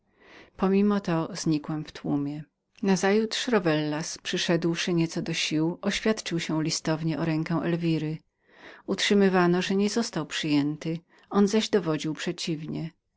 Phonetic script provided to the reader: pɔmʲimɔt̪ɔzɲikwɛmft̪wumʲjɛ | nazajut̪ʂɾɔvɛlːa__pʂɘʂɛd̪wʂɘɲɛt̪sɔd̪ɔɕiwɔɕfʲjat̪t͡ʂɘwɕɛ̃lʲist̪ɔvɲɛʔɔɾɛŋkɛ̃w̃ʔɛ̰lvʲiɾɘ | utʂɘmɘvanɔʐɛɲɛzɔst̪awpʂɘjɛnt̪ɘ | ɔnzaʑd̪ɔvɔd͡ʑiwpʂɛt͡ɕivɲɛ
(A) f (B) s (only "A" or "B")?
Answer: B